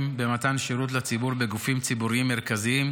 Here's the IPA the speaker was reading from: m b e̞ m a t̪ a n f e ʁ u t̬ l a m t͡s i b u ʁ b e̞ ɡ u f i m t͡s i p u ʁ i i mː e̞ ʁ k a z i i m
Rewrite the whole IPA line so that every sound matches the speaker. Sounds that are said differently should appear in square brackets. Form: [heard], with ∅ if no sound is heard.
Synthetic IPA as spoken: m b e̞ m a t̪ a n [ʃ] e ʁ u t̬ l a [∅] t͡s i b u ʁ b e̞ ɡ u f i m t͡s i [b] u ʁ i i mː e̞ ʁ k a z i i m